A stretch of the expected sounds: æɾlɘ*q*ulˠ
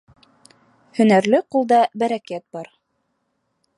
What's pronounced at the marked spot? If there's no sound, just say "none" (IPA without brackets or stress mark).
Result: q